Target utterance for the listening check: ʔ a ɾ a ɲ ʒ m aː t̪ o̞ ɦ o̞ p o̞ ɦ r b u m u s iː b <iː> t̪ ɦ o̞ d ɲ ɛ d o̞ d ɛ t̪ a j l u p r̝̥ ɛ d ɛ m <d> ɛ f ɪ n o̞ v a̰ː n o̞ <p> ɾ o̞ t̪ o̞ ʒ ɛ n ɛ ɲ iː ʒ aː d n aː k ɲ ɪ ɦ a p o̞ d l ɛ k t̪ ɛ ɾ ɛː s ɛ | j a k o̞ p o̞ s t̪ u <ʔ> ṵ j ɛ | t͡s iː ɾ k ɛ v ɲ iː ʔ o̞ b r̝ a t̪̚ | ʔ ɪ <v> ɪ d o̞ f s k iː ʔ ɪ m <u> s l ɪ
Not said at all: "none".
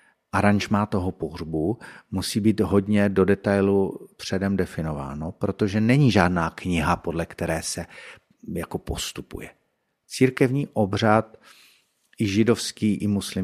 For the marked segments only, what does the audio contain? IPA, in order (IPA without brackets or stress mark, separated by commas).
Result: iː, d, p, p, ʒ, u